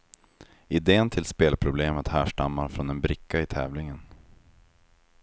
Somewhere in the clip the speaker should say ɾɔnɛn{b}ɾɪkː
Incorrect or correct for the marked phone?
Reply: correct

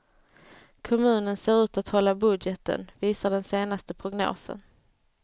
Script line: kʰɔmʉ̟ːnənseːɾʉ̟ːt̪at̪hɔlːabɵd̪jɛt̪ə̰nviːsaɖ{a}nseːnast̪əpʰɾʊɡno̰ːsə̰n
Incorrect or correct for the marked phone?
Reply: incorrect: ɛ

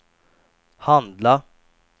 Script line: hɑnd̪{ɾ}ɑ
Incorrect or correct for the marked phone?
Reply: incorrect: l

